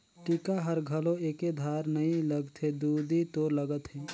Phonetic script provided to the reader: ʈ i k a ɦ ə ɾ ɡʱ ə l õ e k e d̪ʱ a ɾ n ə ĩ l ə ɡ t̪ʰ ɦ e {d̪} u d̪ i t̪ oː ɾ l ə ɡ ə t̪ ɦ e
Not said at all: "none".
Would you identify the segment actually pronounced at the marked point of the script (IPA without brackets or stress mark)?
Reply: d̪